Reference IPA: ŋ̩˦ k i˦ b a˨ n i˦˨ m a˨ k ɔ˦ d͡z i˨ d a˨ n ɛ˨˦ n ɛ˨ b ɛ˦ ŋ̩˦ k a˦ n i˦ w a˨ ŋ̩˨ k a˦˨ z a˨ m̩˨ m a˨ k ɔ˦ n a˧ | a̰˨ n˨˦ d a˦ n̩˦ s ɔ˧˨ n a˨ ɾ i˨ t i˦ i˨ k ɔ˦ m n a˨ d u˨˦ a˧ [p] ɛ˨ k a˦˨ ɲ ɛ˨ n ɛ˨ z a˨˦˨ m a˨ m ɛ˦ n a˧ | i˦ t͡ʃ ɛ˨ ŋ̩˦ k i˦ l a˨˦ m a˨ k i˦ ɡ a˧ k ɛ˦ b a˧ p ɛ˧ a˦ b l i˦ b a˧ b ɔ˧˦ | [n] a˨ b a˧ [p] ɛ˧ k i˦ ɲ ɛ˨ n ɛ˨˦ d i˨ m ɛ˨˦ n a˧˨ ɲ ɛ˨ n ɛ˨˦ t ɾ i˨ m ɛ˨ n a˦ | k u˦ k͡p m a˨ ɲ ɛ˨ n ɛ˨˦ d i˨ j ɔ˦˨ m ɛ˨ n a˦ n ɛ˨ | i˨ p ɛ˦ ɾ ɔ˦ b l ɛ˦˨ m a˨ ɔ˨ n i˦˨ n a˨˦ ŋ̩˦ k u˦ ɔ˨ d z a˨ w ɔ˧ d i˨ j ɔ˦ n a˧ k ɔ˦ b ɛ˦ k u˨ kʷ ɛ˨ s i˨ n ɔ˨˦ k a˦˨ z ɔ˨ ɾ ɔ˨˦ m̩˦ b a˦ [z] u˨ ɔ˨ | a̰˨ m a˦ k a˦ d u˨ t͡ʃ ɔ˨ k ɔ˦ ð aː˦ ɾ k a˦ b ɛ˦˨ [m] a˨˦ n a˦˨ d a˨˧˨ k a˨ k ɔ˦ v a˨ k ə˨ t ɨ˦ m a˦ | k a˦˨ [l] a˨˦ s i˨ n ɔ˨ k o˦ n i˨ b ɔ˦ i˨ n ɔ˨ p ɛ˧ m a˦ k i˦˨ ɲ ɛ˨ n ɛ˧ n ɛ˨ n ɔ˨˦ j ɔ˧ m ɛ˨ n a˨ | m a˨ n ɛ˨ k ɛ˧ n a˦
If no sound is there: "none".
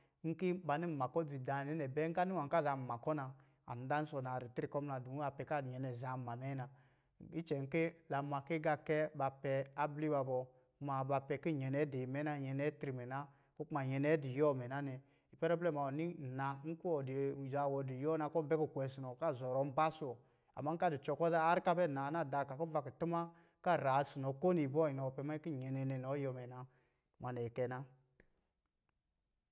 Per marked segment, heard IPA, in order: p, m, p, s, n, ɾ

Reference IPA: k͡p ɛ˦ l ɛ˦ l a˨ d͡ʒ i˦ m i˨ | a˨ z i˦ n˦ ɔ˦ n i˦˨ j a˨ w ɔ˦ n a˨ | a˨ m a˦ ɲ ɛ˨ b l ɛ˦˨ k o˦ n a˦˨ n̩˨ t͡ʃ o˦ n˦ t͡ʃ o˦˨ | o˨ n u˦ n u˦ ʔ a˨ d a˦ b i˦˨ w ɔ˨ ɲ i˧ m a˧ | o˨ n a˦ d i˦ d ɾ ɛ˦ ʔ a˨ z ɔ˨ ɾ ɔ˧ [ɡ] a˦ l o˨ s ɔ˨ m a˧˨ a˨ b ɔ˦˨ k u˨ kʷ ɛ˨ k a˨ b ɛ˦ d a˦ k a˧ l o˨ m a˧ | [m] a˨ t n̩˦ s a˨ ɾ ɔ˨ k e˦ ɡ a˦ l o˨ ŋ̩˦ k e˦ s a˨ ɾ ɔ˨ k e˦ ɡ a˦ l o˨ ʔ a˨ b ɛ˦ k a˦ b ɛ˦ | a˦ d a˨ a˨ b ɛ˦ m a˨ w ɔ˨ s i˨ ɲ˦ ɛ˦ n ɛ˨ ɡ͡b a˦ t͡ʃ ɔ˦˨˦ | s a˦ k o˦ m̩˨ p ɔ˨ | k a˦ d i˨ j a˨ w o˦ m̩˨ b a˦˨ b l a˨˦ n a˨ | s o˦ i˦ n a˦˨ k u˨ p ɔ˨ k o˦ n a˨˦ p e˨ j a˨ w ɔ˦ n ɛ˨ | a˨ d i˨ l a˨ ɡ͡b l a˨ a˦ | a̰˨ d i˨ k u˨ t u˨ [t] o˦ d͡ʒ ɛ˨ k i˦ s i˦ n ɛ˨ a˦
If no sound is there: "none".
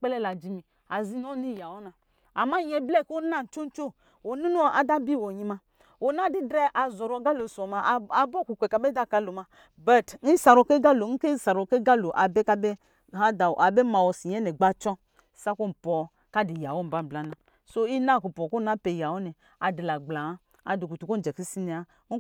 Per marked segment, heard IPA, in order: ɡ, b, k

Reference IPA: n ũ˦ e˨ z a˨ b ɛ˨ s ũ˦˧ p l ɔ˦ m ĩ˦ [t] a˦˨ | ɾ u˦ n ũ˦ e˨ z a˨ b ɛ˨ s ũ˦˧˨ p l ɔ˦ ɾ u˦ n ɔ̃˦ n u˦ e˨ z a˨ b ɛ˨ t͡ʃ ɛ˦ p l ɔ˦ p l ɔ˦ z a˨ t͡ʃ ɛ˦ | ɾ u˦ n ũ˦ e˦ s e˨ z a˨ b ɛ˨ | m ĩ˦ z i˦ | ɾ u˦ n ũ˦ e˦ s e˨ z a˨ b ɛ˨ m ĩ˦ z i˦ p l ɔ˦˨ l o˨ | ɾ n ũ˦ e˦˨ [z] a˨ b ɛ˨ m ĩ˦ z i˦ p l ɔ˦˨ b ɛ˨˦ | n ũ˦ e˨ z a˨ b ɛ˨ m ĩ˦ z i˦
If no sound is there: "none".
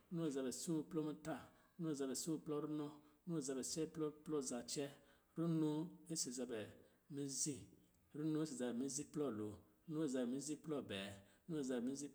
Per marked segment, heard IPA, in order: t, z

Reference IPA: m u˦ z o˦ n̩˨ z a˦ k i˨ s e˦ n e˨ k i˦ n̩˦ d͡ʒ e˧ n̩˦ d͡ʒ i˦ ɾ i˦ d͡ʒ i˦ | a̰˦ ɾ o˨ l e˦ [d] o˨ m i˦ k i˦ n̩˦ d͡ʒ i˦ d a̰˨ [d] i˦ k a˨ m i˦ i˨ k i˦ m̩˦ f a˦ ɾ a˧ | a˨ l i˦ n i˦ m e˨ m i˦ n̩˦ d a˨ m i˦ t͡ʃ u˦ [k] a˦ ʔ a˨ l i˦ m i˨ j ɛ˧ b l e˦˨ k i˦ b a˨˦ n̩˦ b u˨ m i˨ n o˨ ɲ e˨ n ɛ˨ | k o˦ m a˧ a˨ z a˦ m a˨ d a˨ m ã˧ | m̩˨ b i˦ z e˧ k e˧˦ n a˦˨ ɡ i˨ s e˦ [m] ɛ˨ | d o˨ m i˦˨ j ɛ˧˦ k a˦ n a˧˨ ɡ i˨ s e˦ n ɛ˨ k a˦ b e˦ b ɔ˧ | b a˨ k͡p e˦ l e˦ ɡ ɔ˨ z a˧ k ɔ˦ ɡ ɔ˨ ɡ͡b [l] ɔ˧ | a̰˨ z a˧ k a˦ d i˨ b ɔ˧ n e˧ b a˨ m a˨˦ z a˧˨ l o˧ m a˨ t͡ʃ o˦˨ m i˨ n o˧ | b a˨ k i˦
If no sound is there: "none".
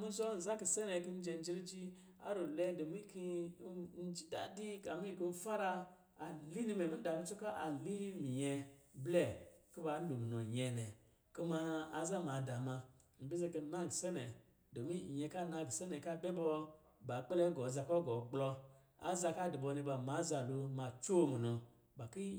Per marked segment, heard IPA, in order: d, d, k, n, l

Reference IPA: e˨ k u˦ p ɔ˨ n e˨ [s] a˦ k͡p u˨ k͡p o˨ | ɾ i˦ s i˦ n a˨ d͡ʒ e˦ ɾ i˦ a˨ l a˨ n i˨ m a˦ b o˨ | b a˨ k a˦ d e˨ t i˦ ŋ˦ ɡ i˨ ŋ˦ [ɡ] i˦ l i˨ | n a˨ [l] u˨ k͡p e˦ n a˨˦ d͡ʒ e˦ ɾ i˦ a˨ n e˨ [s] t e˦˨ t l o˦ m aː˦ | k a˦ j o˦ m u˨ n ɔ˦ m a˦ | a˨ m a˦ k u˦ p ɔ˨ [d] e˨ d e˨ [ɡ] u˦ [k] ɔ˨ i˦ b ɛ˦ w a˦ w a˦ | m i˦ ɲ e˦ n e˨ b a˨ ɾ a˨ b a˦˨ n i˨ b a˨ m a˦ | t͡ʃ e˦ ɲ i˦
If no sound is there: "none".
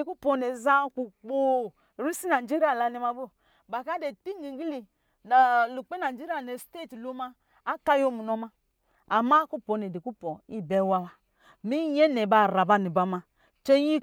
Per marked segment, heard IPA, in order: z, ɡ, l, s, n, k, p

